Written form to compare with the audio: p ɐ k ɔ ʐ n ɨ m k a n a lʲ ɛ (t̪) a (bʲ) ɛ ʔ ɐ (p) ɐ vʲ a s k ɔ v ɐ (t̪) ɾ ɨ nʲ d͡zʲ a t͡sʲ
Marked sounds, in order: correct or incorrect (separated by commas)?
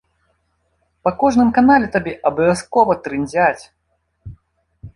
correct, correct, incorrect, correct